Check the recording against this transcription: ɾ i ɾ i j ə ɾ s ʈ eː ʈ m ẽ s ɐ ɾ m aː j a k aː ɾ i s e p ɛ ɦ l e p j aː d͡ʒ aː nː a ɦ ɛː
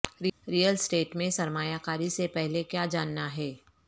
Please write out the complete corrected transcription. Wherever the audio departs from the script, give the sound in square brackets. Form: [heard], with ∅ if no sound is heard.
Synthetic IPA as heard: ɾ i ɾ i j ə [l] s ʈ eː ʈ m ẽ s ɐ ɾ m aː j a k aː ɾ i s e p ɛ ɦ l e [k] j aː d͡ʒ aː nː a ɦ ɛː

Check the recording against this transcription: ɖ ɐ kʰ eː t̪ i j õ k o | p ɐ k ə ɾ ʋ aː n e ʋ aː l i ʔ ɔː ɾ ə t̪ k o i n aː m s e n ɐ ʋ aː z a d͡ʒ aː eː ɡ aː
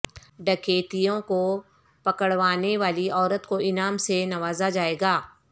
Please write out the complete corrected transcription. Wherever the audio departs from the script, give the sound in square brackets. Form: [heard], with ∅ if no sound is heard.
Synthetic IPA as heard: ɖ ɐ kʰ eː t̪ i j õ k o | p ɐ k ə [ɽ] ʋ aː n e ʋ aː l i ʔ ɔː ɾ ə t̪ k o [ɪ] n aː m s e n ɐ ʋ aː z a d͡ʒ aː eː ɡ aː

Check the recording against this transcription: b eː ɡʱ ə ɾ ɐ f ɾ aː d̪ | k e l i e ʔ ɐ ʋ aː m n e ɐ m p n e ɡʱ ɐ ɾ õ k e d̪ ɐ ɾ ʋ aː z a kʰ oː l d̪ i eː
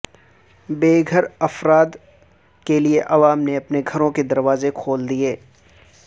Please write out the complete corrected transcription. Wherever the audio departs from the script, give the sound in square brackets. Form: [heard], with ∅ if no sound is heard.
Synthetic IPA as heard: b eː ɡʱ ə ɾ ɐ f ɾ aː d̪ | k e l i e ʔ ɐ ʋ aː m n e ɐ [∅] p n e ɡʱ ɐ ɾ õ k e d̪ ɐ ɾ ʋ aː z [e] kʰ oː l d̪ i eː

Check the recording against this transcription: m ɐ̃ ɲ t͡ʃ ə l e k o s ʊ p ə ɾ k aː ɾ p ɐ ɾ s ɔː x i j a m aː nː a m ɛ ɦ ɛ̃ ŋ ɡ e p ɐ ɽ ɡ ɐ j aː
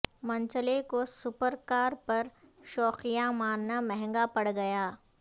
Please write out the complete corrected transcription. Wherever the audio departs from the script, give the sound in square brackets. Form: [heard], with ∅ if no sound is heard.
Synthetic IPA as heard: m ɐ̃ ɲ t͡ʃ ə l e k o s ʊ p ə ɾ k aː ɾ p ɐ ɾ [ʃ] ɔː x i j a m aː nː a m ɛ ɦ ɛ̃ ŋ ɡ [a] p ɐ ɽ ɡ ɐ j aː

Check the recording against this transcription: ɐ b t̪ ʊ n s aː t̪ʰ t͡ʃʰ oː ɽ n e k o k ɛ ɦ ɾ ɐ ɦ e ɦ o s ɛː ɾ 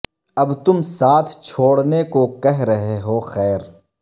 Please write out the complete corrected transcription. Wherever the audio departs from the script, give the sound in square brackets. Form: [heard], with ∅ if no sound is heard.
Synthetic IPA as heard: ɐ b t̪ ʊ [m] s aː t̪ʰ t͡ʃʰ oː ɽ n e k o k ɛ ɦ ɾ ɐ ɦ e ɦ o [x] ɛː ɾ

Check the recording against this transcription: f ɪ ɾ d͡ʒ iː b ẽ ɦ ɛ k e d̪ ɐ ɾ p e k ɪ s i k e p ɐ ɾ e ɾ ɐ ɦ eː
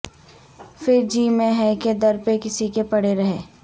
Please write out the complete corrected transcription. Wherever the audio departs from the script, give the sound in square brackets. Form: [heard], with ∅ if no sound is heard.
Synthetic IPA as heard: f ɪ ɾ d͡ʒ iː [m] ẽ ɦ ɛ k e d̪ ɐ ɾ p e k ɪ s i k e p ɐ [ɽ] e ɾ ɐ ɦ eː

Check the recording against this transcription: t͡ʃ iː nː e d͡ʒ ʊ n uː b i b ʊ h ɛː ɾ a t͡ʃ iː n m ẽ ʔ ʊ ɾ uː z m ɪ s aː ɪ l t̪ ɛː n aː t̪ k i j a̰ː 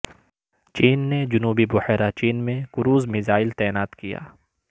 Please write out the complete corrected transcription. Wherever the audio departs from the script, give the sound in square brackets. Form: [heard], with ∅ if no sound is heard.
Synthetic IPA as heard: t͡ʃ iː nː e d͡ʒ ʊ n uː b i b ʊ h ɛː ɾ a t͡ʃ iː n m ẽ [k] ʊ ɾ uː z m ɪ [z] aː ɪ l t̪ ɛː n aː t̪ k i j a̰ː

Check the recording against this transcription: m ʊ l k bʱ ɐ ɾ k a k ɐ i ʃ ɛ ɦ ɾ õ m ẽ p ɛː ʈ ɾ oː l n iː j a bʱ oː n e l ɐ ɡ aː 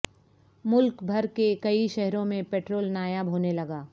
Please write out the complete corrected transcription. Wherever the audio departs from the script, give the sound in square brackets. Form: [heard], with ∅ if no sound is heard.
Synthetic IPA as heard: m ʊ l k bʱ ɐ ɾ k [e] k ɐ i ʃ ɛ ɦ ɾ õ m ẽ p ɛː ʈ ɾ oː l n [aː] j a bʱ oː n e l ɐ ɡ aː

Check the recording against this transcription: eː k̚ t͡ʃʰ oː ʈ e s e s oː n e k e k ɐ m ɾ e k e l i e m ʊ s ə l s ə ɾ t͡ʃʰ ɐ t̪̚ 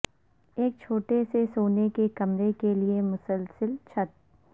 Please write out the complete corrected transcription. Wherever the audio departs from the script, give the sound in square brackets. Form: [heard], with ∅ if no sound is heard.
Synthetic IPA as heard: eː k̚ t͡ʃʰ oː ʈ e s e s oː n e k e k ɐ m ɾ e k e l i e m ʊ s ə l s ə [l] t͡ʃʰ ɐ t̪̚

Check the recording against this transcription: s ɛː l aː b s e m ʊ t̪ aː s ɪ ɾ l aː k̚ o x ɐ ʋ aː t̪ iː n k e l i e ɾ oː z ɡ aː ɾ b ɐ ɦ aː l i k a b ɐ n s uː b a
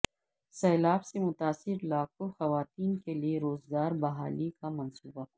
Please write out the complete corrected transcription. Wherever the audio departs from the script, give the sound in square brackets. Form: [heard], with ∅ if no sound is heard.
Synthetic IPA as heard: s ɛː l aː b s e m ʊ t̪ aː s ɪ ɾ l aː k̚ o x ɐ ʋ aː t̪ iː n k e l i e ɾ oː z ɡ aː ɾ b ɐ ɦ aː l i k a [m] ɐ n s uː b a

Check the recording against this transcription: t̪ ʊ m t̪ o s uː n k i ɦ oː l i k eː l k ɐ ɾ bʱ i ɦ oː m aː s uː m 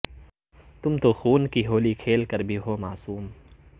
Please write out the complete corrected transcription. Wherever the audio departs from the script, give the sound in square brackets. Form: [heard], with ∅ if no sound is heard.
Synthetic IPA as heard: t̪ ʊ m t̪ o [x] uː n k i ɦ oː l i [kʰ] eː l k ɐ ɾ bʱ i ɦ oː m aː s uː m

